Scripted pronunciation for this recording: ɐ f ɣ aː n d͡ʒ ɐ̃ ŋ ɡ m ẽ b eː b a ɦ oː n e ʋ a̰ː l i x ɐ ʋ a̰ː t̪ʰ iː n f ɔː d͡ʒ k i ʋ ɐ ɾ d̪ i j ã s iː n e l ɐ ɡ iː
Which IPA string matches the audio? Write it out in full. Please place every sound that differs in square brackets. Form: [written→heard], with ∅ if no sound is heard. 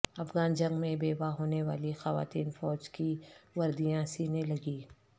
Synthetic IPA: ɐ f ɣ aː n d͡ʒ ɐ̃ ŋ ɡ m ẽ b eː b a ɦ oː n e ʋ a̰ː l i x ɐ ʋ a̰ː [t̪ʰ→t̪] iː n f ɔː d͡ʒ k i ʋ ɐ ɾ d̪ i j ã s iː n e l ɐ ɡ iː